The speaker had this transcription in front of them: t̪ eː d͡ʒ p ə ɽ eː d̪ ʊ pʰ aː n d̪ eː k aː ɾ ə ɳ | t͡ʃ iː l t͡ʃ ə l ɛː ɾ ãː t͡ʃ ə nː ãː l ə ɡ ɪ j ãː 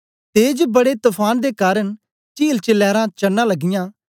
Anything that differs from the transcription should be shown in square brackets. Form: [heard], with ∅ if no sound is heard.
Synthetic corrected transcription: t̪ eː d͡ʒ [b] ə ɽ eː [t̪] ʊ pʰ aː n d̪ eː k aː ɾ ə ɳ | t͡ʃ iː l t͡ʃ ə l ɛː ɾ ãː t͡ʃ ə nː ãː l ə ɡ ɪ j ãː